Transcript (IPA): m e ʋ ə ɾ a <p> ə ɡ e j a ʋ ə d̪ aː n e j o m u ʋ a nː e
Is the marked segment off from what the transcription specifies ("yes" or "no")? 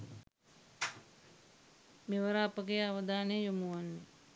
no